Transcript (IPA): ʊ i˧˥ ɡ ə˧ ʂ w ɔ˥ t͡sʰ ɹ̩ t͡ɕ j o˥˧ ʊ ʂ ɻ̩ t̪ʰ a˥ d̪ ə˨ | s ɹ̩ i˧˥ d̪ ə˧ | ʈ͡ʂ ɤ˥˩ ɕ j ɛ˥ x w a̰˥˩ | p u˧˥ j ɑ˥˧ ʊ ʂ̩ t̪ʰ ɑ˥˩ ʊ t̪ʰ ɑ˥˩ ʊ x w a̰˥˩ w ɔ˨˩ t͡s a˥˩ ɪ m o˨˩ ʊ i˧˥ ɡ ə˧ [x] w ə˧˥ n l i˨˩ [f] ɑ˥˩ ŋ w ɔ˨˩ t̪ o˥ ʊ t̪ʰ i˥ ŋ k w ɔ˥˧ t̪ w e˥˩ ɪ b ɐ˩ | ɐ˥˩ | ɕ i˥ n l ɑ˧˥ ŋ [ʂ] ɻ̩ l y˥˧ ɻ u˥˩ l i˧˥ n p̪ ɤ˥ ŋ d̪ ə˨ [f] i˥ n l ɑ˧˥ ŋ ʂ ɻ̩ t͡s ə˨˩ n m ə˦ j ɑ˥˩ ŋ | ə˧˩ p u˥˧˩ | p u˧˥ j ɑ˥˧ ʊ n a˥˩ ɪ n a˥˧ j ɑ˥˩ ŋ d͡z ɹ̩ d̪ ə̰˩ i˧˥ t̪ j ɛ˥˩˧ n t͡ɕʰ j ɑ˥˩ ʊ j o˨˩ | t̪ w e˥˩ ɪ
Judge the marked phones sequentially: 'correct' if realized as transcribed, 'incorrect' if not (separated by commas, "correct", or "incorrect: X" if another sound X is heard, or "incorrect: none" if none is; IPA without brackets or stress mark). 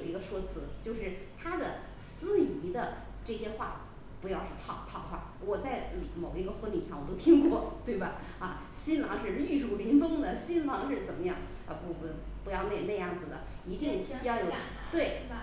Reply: correct, incorrect: ʂ, correct, incorrect: ɕ